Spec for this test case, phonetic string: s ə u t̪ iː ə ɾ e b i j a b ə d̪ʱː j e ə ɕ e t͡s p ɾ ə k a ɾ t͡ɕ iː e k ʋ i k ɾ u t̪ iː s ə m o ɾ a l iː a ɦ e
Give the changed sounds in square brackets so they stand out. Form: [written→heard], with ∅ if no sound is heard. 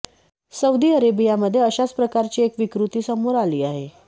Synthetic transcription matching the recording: s ə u [t̪→d̪] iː ə ɾ e b i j a [b→m] ə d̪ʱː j e ə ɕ [e→a] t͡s p ɾ ə k a ɾ t͡ɕ iː e k ʋ i k ɾ u t̪ iː s ə m o ɾ a l iː a ɦ e